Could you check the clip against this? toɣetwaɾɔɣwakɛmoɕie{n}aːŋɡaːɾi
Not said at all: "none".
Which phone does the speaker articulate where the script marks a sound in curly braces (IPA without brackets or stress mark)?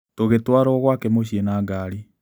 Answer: n